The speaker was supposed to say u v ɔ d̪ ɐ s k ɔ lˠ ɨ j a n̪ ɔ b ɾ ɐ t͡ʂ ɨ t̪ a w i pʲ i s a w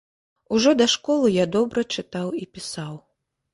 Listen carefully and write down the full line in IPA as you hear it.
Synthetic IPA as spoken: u ʐ ɔ d̪ ɐ ʂ k ɔ lˠ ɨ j a d̪ ɔ b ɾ ɐ t͡ʂ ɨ t̪ a w i pʲ i s a w